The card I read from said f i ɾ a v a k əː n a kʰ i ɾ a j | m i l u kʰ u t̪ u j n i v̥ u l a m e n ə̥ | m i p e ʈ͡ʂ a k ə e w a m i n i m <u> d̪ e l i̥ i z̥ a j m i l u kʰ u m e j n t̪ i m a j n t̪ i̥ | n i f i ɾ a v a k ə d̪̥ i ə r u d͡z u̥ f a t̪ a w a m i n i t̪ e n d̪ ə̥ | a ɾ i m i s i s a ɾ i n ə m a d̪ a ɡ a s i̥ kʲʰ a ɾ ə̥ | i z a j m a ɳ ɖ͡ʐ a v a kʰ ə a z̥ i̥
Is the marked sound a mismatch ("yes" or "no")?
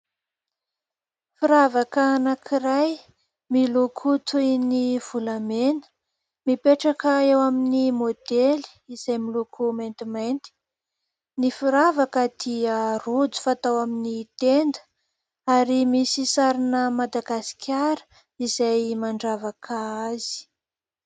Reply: yes